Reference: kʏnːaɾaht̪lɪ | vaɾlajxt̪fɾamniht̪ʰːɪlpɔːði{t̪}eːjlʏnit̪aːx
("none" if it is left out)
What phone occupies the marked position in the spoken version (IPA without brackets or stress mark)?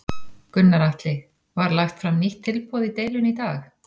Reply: t̪